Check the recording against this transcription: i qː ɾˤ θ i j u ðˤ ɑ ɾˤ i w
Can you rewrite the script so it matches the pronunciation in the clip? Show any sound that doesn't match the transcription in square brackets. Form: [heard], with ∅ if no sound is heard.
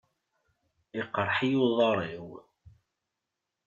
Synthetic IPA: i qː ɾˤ [ħ] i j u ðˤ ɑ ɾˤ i w